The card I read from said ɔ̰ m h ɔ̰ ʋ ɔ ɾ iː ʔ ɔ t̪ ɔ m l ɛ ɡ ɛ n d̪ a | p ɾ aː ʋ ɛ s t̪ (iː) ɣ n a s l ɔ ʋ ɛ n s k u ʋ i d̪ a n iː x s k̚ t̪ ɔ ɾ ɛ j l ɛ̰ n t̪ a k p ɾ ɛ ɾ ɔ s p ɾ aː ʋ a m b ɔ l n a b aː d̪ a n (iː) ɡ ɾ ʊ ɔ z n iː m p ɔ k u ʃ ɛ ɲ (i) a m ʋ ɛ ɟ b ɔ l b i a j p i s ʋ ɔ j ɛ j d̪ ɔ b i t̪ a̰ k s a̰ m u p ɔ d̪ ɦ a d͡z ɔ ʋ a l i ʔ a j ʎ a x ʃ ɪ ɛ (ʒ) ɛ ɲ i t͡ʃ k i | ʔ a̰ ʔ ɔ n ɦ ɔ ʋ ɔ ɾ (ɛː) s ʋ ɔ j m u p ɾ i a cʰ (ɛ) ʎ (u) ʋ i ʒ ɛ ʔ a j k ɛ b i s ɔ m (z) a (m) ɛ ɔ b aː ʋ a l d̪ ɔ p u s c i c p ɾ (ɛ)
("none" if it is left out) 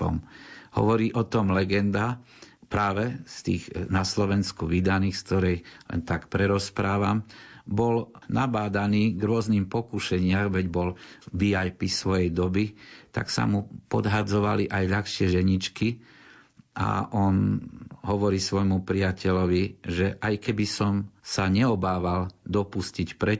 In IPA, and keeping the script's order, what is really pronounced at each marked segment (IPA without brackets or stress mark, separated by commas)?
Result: iː, iː, ɪ, ʒ, iː, ɛ, ɔ, s, ɲ, ɛ